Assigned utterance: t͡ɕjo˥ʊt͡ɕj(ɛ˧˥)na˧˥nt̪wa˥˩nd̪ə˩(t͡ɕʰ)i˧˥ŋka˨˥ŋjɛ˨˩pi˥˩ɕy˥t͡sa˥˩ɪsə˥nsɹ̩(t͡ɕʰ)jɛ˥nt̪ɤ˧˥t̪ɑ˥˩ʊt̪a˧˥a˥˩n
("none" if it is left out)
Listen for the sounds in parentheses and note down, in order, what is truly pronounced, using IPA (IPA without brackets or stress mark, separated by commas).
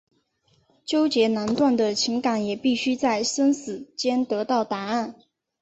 ɛ˧˥, t͡ɕʰ, t͡ɕ